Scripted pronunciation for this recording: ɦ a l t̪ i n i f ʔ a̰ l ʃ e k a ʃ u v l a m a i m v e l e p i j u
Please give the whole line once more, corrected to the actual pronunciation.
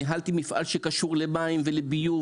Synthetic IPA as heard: ɦ a l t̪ i m i f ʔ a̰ l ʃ e k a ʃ u ʁ l e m a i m v e l e b i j u

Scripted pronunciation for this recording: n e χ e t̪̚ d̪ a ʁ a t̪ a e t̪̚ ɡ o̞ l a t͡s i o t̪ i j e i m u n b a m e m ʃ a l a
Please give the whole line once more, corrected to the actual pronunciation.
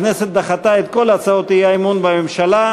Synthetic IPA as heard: n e s e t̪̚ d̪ a χ a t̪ a e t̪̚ k o̞ l a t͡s a o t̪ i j a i m u n b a m e m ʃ a l a

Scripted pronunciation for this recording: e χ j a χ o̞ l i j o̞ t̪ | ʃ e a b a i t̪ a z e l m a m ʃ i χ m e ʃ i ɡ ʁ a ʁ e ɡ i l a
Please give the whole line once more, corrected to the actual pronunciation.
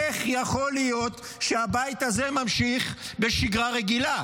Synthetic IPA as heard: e χ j a χ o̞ l i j o̞ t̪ | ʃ e a b a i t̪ a z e m a m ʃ i χ b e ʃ i ɡ ʁ a ʁ e ɡ i l a

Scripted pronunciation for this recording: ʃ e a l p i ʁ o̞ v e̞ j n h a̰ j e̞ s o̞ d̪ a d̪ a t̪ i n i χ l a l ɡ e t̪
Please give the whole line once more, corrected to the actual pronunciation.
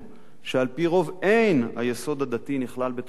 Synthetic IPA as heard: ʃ e a l p i ʁ o̞ v e̞ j n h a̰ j e̞ s o̞ d̪ a d̪ a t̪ i n i χ l a l b e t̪

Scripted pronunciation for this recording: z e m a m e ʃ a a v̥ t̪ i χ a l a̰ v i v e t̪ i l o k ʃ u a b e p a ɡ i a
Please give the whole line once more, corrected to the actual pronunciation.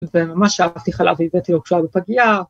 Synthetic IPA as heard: v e m a m a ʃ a a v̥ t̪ i χ a l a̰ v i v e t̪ i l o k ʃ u a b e p a ɡ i a

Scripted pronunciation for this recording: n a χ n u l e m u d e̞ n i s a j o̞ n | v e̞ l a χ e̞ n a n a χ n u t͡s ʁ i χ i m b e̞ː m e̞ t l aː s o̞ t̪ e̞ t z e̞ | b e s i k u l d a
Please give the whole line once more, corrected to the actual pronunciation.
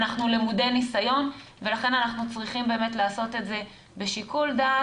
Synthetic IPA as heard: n a χ n u l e m u d e̞ n i s a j o̞ n | v e̞ l a χ e̞ n a n a χ n u t͡s ʁ i χ i m b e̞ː m e̞ t l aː s o̞ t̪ e̞ t z e̞ | b e ʃ i k u l d a

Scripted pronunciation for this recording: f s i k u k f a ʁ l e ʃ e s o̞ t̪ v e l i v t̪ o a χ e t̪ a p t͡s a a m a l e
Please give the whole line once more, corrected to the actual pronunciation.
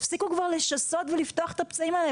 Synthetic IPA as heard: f s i k u k v a ʁ l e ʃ a s o̞ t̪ v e l i f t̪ o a χ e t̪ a p t͡s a i m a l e

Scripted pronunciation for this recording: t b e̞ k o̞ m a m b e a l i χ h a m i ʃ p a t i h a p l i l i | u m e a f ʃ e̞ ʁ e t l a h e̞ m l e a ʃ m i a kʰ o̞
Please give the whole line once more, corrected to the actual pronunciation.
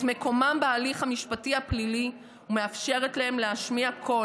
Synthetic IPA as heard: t m e̞ k o̞ m a m b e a l i χ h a m i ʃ p a t i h a p l i l i | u m e a f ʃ e̞ ʁ e t l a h e̞ m l e a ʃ m i a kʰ o̞

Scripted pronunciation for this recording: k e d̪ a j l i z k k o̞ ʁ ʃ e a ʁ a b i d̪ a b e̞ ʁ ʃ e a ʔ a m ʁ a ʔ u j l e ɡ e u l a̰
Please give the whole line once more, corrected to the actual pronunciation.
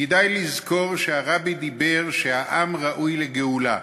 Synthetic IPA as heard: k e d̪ a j l i z k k o̞ ʁ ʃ e a ʁ a b i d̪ i b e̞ ʁ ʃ e a ʔ a m ʁ a ʔ u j l e ɡ e u l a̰

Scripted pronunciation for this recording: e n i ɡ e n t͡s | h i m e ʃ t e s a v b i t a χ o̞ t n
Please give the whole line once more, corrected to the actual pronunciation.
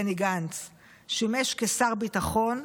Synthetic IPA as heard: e n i ɡ a n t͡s | ʃ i m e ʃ k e s a ʁ b i t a χ o̞ n

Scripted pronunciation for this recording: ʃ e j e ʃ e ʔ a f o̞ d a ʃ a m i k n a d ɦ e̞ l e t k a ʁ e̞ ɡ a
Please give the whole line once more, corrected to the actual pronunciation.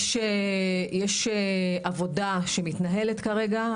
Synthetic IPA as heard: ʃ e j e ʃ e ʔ a v o̞ d a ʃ e m i t n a ɦ e̞ l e t k a ʁ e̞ ɡ a

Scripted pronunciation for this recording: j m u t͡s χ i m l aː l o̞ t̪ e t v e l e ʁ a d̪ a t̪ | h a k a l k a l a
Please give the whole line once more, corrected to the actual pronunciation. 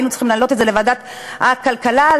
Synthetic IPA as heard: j n u t͡s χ i m l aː l o̞ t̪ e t z e l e v a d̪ a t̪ | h a k a l k a l a

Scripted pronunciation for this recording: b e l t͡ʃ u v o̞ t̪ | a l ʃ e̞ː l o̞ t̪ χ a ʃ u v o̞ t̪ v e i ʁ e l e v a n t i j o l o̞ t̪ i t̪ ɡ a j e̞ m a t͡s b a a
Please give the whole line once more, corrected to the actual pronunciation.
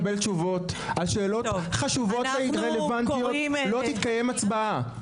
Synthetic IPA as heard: b e l t͡ʃ u v o̞ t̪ | a l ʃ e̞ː l o̞ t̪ χ a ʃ u v o̞ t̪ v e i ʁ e l e v a n t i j o l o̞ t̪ i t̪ k a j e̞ m a t͡s b a a

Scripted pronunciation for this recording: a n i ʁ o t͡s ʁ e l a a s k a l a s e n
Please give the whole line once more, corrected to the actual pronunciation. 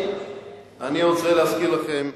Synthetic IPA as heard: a n i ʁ o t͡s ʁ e l e a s k i l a χ e m

